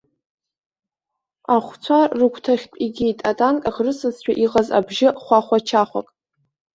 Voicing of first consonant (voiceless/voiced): voiceless